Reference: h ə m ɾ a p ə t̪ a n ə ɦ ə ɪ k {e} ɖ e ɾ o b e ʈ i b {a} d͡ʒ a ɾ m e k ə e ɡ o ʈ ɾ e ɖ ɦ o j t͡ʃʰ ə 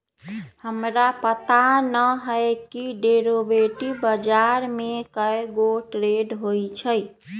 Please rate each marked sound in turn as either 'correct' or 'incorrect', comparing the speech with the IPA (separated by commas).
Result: incorrect, incorrect